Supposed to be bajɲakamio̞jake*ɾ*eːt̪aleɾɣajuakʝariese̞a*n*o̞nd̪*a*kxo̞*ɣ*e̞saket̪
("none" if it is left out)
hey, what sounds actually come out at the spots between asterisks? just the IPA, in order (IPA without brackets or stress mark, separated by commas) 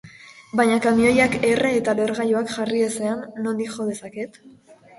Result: r, nː, i, ð